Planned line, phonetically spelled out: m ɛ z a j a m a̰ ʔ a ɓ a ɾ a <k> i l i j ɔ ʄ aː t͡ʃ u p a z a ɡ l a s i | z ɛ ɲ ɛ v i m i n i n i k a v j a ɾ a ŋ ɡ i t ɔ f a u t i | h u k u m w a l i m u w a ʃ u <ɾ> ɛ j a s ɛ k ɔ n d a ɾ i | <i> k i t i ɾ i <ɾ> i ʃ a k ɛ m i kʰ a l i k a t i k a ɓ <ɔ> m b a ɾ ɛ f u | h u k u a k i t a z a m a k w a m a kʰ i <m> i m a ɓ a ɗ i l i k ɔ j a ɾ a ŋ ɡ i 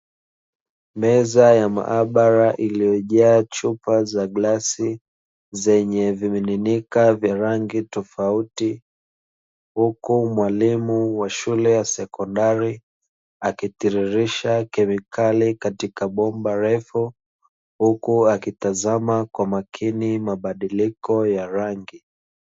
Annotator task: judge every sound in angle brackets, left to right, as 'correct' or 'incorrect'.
incorrect, incorrect, incorrect, correct, correct, incorrect

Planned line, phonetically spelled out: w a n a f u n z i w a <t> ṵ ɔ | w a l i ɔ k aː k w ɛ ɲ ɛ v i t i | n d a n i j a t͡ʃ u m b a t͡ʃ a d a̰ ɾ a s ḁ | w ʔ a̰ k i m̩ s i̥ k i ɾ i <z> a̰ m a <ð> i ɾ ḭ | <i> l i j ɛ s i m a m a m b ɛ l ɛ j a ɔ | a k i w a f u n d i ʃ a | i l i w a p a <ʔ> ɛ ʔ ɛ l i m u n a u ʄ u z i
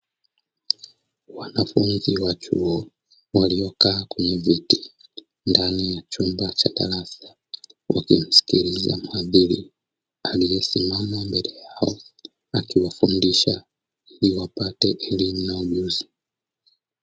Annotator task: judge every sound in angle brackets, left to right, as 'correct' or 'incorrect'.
incorrect, correct, correct, incorrect, incorrect

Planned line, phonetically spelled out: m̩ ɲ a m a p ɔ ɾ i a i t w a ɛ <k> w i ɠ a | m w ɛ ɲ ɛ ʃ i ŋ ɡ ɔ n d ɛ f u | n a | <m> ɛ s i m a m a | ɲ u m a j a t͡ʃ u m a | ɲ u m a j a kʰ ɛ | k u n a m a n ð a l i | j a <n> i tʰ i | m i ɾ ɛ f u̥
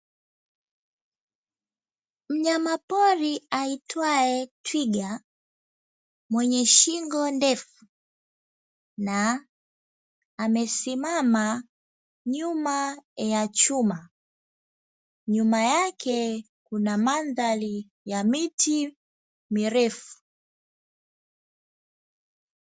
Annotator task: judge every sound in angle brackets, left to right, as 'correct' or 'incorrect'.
incorrect, correct, incorrect

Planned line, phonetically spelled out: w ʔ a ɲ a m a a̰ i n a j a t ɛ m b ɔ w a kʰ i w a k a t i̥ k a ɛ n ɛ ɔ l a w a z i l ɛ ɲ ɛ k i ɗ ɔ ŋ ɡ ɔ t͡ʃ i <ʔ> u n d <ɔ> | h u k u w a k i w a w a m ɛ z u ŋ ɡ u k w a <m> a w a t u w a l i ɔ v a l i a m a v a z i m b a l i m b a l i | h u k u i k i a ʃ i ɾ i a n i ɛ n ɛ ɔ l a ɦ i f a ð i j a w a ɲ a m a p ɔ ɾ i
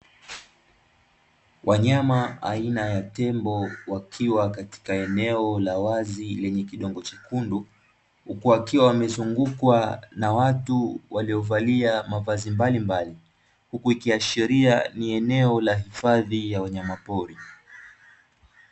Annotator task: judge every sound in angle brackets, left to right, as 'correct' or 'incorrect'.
incorrect, incorrect, incorrect

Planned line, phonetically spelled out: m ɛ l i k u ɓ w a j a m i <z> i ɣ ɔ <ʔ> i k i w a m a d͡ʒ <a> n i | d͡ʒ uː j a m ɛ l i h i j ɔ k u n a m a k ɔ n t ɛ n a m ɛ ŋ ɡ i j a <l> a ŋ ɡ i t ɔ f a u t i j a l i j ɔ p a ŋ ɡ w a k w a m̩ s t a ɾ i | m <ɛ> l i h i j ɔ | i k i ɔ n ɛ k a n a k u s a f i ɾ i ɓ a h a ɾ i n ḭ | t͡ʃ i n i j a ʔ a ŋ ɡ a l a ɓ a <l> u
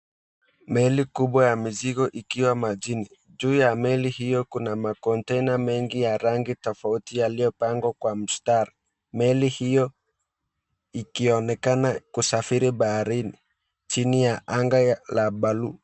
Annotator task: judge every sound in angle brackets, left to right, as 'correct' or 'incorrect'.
correct, correct, incorrect, incorrect, correct, correct

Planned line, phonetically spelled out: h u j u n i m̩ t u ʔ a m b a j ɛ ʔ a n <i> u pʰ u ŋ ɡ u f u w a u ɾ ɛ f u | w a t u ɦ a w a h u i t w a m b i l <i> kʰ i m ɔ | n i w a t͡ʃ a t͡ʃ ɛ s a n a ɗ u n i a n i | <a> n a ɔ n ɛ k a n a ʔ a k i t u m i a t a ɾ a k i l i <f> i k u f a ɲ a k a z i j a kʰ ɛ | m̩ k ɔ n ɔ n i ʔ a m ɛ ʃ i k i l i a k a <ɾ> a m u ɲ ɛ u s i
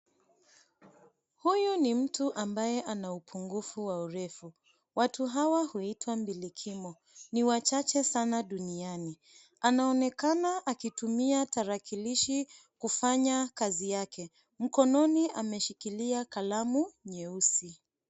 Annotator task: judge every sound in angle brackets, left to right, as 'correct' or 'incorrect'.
incorrect, correct, correct, incorrect, incorrect

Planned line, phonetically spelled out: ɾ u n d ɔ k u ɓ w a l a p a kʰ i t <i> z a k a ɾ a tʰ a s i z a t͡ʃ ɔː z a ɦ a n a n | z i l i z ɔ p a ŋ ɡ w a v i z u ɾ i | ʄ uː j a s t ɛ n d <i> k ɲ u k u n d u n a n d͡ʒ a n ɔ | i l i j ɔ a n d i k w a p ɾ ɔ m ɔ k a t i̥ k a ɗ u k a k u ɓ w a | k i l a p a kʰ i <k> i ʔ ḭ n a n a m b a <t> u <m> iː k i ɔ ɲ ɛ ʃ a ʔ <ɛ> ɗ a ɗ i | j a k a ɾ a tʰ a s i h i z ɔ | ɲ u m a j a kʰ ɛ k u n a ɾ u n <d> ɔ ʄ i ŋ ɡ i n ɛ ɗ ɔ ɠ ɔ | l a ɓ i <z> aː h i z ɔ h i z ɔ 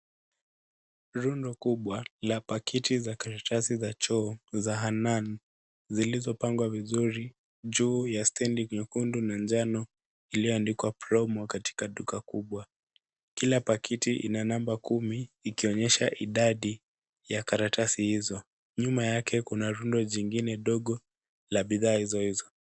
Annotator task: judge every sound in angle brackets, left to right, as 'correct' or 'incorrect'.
correct, correct, incorrect, incorrect, correct, incorrect, correct, incorrect

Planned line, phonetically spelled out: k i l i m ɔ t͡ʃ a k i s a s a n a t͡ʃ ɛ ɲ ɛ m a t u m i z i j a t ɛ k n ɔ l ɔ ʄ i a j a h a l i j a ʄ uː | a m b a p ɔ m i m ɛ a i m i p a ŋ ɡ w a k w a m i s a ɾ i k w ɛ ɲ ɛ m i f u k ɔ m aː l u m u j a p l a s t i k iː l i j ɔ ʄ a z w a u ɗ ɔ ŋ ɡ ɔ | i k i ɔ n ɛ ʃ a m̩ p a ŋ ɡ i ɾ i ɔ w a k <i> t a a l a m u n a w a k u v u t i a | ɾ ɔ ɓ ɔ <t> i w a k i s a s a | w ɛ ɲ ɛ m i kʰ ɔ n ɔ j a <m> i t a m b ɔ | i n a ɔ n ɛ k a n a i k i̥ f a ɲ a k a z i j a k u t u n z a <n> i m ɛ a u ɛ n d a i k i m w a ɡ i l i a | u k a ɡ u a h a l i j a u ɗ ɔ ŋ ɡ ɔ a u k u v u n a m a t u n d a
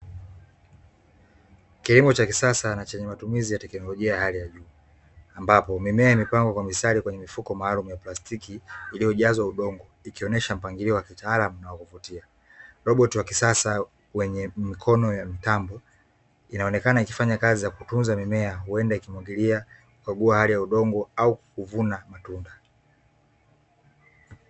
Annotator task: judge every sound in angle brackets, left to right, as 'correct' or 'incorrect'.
correct, correct, correct, incorrect

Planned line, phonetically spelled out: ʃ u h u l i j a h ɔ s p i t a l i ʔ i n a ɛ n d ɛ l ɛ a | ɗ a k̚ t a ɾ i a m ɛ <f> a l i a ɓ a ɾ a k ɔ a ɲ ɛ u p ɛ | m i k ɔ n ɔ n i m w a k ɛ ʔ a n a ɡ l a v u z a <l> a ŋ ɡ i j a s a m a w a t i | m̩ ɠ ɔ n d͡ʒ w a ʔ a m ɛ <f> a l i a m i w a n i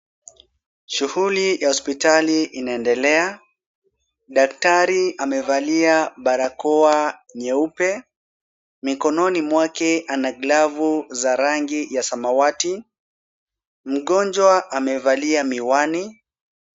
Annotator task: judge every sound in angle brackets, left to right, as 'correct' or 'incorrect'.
incorrect, incorrect, incorrect

